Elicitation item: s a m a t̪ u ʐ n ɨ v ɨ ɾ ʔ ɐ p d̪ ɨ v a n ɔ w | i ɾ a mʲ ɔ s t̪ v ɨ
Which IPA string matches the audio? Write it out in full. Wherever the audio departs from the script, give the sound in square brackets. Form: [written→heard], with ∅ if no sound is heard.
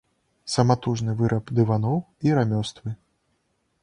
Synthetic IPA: s [a→ɐ] m a t̪ u ʐ n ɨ v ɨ ɾ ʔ ɐ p d̪ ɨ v a n ɔ w | i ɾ a mʲ ɔ s t̪ v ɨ